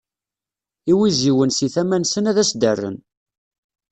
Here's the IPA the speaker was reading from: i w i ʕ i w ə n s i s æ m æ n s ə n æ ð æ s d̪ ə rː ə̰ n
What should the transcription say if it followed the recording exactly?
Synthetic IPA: i w i z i w ə n s i θ æ m æ n s ə n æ ð æ s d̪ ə rː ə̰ n

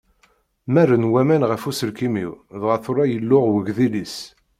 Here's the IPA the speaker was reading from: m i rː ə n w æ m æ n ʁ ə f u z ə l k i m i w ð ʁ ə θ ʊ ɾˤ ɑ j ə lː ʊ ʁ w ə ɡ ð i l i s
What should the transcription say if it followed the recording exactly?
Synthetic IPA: m æ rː ə n w æ m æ n ʁ ə f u s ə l k i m i w ð ʁ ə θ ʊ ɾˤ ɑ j ə lː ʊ ʁ w ə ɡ ð i l i s

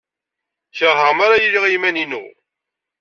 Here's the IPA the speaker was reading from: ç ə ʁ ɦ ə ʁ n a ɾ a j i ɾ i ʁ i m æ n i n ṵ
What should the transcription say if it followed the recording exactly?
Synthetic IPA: ç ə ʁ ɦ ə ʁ m a ɾ a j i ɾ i ʁ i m æ n i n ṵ

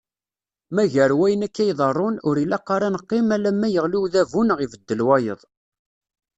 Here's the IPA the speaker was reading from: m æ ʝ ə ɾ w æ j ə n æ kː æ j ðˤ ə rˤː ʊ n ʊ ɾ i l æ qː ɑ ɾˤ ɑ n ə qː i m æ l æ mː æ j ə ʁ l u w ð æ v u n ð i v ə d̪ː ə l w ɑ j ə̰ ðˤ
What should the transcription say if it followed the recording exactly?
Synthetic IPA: m æ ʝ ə ɾ w æ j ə n æ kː æ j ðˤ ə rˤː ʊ n ʊ ɾ i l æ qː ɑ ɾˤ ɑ n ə qː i m æ l æ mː æ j ə ʁ l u w ð æ v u n ʁ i v ə d̪ː ə l w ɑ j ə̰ ðˤ

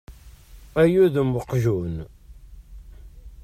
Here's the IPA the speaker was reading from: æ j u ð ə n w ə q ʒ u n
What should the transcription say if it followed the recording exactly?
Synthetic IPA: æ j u ð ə m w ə q ʒ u n

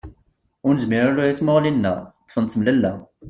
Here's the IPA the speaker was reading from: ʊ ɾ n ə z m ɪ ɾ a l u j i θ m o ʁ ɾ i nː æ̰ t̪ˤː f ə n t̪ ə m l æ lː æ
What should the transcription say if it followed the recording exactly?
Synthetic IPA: ʊ ɾ n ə z m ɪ ɾ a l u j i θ m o ʁ l i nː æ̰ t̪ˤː f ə n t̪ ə m l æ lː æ

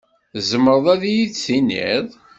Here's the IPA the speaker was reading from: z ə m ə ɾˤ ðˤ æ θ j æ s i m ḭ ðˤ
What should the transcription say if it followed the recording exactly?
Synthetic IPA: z ə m ə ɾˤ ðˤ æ ð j i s i n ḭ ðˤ

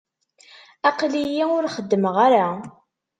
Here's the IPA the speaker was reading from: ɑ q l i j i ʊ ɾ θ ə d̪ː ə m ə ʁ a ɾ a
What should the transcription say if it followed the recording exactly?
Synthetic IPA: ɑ q l i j i ʊ ɾ χ ə d̪ː ə m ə ʁ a ɾ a

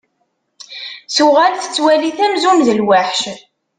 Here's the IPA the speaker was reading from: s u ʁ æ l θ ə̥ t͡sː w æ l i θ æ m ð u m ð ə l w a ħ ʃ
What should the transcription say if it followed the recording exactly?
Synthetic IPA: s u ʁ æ l θ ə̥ t͡sː w æ l i θ æ m z u m ð ə l w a ħ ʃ

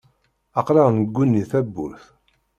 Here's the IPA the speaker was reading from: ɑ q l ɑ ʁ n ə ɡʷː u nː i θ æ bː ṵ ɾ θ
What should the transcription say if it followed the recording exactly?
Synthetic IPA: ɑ q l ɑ ʁ n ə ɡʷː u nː i θ æ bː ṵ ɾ θ

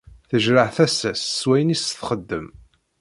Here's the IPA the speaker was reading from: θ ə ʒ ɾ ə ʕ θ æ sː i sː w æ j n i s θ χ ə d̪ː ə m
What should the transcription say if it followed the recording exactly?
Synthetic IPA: θ ə ʒ ɾ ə ʕ θ æ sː æ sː w æ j n i s θ χ ə d̪ː ə m

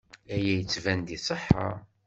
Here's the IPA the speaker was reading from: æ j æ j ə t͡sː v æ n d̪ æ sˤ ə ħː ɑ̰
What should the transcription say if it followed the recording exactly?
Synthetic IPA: æ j æ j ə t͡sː v æ n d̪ i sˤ ə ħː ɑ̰

